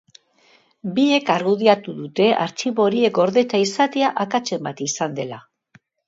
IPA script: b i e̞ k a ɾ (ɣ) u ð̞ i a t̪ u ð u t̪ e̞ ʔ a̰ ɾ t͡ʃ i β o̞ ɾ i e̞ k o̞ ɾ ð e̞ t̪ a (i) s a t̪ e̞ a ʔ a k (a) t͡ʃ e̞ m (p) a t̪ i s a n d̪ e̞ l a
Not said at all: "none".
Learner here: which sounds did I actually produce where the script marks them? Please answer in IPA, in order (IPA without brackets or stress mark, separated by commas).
ɣ, i, a, b